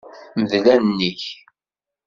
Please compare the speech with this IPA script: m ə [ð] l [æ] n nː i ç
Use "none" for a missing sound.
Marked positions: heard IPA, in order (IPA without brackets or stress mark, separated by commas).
ð, æ